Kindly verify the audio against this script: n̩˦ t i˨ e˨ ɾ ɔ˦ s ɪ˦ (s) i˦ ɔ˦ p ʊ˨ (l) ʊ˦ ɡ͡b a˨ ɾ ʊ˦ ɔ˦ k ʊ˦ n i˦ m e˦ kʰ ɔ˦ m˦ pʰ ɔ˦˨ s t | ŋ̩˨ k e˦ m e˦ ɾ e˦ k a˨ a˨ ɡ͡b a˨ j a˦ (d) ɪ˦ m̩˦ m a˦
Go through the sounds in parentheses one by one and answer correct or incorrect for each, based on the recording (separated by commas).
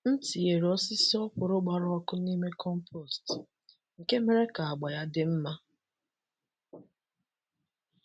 correct, incorrect, correct